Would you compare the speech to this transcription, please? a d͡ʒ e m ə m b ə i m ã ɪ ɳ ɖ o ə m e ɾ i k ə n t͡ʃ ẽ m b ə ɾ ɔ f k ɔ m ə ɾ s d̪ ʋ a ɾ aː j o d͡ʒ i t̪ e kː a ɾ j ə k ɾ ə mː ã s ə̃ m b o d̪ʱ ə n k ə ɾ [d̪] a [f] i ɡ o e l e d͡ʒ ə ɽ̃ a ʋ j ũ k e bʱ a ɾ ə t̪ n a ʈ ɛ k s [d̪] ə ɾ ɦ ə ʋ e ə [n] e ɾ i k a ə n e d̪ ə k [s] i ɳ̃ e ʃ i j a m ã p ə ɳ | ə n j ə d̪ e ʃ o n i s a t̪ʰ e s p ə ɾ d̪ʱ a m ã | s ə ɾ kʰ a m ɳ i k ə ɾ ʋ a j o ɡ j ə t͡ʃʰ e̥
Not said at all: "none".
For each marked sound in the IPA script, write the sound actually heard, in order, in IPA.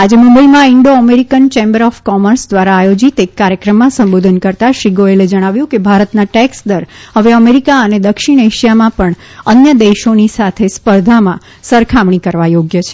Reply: t̪, ʃ, d̪, m, ʃ

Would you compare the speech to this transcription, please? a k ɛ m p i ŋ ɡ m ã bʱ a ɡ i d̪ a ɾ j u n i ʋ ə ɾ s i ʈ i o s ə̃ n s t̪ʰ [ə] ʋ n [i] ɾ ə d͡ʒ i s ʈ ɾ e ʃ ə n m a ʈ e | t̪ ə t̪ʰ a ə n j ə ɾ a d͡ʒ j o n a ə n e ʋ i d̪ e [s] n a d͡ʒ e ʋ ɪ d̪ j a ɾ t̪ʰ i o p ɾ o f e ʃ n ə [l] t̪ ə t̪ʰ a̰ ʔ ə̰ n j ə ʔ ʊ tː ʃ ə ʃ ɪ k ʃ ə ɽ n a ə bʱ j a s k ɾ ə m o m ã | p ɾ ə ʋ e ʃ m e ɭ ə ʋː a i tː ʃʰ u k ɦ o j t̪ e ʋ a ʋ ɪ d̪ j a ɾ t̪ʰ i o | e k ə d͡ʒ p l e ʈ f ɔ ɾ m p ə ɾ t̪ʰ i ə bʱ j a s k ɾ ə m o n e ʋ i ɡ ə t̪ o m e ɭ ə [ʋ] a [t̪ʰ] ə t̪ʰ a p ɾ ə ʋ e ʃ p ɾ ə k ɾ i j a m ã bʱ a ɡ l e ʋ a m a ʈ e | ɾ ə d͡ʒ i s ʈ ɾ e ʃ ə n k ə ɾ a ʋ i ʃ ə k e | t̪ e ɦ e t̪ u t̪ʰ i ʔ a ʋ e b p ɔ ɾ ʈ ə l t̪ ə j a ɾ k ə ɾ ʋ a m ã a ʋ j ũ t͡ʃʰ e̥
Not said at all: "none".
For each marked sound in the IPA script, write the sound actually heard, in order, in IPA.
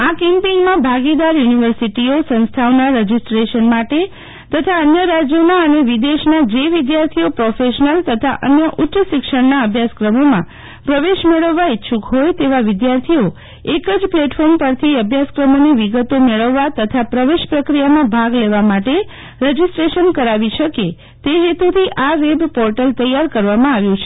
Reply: a, a, ʃ, l, ʋː, t̪

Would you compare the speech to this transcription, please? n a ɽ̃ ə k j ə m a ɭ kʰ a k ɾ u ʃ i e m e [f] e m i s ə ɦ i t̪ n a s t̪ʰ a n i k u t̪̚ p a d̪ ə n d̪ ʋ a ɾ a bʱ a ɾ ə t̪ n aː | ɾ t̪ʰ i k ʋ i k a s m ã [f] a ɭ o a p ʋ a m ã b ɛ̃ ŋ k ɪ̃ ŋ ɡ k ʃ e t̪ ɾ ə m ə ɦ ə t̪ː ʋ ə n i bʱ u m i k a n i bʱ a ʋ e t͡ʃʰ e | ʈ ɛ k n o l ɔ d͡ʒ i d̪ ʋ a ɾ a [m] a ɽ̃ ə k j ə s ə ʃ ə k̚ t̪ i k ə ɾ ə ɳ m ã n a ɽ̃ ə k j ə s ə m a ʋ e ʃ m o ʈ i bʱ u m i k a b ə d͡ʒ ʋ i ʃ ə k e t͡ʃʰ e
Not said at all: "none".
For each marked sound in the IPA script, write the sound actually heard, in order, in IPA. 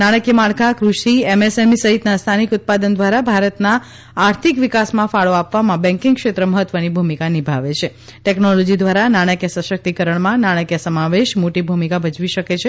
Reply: s, f, n

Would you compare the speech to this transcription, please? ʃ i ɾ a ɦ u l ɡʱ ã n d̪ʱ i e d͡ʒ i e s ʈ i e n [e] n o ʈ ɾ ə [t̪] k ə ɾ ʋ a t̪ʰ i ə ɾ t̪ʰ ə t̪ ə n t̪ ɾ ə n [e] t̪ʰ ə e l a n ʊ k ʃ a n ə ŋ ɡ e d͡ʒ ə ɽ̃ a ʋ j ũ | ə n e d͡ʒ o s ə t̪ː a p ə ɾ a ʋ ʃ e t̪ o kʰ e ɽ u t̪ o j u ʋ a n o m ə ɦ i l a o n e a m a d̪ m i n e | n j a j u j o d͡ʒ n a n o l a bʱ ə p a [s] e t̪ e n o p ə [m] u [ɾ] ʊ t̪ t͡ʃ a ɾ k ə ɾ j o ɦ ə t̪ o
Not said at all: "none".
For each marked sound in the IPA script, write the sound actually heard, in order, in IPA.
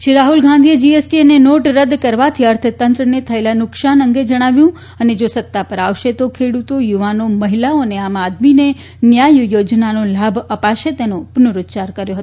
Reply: e, d̪, e, ʃ, n, ɾ

